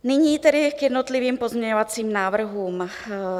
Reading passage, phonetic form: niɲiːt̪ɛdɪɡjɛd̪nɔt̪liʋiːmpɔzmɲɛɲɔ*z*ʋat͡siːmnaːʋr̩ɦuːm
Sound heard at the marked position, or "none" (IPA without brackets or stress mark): none